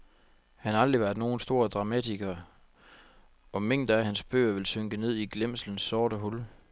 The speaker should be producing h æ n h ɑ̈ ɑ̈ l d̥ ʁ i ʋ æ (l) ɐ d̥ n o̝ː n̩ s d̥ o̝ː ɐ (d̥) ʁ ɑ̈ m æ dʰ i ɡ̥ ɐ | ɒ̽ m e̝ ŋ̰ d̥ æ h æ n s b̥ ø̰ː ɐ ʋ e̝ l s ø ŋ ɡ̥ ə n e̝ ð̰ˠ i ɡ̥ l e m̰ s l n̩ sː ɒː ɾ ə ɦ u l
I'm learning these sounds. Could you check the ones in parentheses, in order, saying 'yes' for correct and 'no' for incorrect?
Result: no, yes

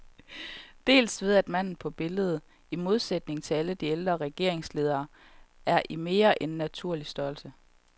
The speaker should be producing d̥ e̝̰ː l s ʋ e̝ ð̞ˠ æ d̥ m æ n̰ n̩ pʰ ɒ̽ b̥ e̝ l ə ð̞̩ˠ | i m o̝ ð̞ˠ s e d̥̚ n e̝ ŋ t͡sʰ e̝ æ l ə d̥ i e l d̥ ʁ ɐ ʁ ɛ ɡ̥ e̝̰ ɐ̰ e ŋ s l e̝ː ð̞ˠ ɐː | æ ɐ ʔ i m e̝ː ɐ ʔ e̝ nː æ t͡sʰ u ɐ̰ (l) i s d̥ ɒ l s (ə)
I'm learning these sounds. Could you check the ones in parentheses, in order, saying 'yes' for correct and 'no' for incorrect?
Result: yes, yes

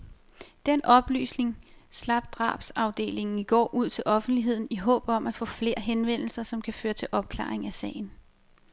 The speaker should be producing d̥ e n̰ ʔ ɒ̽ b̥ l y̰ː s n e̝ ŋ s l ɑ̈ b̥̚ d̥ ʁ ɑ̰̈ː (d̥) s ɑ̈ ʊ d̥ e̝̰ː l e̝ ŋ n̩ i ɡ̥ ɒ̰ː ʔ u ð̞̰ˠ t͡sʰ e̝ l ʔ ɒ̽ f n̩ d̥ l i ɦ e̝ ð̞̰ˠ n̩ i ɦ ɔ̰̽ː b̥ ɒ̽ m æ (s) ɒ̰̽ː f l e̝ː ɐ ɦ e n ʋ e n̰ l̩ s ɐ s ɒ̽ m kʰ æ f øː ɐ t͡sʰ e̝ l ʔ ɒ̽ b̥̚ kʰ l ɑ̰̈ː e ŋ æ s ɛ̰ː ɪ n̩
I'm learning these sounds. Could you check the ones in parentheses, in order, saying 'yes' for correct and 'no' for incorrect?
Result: no, no

